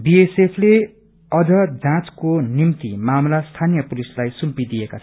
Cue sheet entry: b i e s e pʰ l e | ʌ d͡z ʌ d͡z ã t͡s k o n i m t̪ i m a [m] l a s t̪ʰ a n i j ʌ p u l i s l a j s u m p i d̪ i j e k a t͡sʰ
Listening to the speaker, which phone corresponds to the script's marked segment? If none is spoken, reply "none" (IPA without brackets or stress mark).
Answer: m